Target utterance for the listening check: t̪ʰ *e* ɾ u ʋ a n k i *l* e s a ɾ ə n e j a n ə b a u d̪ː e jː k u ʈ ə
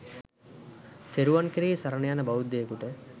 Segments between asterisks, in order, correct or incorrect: correct, incorrect

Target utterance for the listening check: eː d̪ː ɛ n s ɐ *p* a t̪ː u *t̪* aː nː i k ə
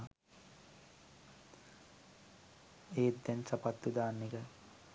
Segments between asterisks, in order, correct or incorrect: correct, incorrect

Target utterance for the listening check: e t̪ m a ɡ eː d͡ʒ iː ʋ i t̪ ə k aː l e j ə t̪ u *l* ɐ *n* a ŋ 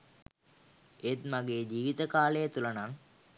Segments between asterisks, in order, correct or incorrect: correct, correct

